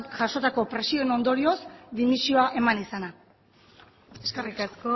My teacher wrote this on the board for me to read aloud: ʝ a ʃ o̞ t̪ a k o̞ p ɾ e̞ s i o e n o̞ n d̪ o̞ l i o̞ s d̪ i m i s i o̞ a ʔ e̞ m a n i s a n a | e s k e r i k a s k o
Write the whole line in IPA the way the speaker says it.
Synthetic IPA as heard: ʝ a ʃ o̞ t̪ a k o̞ p ɾ e̞ s i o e n o̞ n d̪ o̞ ɾ i o̞ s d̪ i m i s i o̞ a ʔ e̞ m a n i s a n a | e s k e r i k a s k o